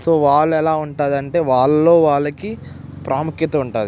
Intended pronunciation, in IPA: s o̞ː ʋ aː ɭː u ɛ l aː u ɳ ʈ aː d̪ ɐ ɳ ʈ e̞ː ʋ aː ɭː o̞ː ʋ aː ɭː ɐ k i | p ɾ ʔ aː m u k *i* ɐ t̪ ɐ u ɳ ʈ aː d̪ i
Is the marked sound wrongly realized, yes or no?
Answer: yes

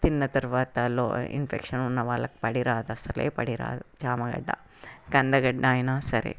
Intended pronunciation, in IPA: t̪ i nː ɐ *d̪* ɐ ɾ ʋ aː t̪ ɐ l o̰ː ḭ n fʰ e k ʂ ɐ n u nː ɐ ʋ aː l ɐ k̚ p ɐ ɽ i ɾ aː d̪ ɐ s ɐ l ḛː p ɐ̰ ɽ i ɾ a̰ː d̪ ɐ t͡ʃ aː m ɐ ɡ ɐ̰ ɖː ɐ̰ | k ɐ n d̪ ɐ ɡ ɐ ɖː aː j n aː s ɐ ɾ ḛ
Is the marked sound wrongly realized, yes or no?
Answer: yes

